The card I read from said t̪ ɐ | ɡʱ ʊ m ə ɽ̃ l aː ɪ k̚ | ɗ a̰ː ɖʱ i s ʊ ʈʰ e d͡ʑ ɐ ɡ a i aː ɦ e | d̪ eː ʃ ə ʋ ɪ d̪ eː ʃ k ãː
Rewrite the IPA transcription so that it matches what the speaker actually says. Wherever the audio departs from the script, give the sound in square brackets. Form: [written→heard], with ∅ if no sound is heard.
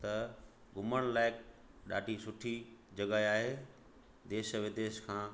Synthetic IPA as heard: t̪ ɐ | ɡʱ ʊ m ə ɽ̃ l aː ɪ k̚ | ɗ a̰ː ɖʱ i s ʊ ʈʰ [e→i] d͡ʑ ɐ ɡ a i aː ɦ e | d̪ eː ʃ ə ʋ ɪ d̪ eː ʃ [k→kʰ] ãː

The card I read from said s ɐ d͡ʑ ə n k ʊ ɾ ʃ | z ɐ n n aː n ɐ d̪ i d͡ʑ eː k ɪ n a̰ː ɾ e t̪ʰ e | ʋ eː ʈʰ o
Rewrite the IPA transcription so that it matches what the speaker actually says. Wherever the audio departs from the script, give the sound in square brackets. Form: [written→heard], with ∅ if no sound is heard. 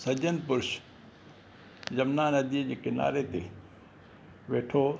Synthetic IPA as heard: s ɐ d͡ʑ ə n [k→p] ʊ ɾ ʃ | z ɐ [n→m] n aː n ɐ d̪ i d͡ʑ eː k ɪ n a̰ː ɾ e [t̪ʰ→t̪] e | ʋ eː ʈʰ o

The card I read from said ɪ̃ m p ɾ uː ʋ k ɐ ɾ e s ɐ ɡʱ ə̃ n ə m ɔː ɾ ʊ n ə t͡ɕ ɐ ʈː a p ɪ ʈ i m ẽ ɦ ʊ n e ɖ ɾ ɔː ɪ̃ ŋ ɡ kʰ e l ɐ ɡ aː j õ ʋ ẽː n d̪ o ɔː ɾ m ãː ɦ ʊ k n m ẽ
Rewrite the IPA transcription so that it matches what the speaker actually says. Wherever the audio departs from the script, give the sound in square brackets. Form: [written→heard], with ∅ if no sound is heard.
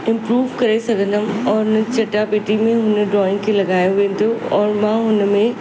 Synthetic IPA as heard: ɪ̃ m p ɾ uː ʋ k ɐ ɾ e s ɐ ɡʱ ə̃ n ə m ɔː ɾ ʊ n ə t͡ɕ ɐ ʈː a p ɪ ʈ i m ẽ ɦ ʊ n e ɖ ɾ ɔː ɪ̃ ŋ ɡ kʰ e l ɐ ɡ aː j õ ʋ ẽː n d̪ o ɔː ɾ m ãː ɦ ʊ [k→∅] n m ẽ

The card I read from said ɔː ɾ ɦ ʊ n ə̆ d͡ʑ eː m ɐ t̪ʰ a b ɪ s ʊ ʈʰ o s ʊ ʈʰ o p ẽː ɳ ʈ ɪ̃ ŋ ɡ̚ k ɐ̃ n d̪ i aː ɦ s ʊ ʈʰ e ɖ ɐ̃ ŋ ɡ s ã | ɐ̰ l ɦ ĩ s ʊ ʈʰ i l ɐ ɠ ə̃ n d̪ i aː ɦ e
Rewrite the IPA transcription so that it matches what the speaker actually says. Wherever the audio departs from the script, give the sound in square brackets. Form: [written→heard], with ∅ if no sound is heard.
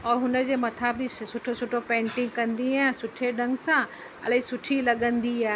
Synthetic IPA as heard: ɔː ɾ ɦ ʊ n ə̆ d͡ʑ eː m ɐ t̪ʰ a b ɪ s ʊ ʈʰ o s ʊ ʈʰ o p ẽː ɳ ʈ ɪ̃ ŋ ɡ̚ k ɐ̃ n d̪ i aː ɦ s ʊ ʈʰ e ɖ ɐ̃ ŋ ɡ s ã | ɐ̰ l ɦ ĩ s ʊ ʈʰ i l ɐ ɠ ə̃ n d̪ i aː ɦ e

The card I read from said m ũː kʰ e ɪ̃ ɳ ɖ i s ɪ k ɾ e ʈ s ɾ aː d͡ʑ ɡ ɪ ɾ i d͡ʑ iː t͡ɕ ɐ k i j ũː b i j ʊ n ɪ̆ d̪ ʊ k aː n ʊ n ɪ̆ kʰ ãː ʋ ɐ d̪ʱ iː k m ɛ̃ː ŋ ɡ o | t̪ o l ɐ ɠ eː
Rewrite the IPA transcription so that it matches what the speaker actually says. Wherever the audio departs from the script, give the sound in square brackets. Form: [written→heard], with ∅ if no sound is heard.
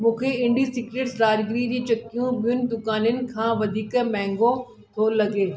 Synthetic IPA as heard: m ũː kʰ e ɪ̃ ɳ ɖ i s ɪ k ɾ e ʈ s ɾ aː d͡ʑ ɡ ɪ ɾ i d͡ʑ iː t͡ɕ ɐ k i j [ũː→ũ] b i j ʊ n ɪ̆ d̪ ʊ k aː n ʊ n ɪ̆ kʰ ãː ʋ ɐ d̪ʱ iː k m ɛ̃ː ŋ ɡ o | [t̪→t̪ʰ] o l ɐ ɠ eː

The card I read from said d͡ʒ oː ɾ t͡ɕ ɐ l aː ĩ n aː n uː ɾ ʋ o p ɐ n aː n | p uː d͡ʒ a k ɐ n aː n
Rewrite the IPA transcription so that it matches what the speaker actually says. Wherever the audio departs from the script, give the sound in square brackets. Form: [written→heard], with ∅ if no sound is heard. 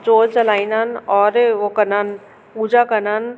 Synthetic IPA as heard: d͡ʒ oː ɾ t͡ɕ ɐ l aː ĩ n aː n [uː→ɔː] ɾ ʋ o [p→k] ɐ n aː n | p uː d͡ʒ a k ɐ n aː n

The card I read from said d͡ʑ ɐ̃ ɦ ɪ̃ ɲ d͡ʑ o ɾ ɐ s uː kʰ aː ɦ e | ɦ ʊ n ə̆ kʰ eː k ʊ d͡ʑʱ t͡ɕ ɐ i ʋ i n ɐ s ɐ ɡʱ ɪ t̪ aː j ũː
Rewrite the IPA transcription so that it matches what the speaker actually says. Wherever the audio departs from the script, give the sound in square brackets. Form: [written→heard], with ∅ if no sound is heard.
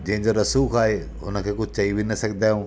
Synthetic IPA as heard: d͡ʑ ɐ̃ ɦ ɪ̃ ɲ d͡ʑ o ɾ ɐ s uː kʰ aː ɦ e | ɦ ʊ n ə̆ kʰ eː k ʊ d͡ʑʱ t͡ɕ ɐ i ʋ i n ɐ s ɐ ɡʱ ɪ [t̪→d̪] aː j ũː

